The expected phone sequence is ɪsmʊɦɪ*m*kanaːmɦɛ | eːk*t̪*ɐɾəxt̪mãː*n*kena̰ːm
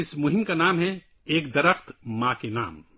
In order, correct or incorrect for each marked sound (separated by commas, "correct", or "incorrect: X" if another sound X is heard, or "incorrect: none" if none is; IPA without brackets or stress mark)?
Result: correct, incorrect: d̪, incorrect: none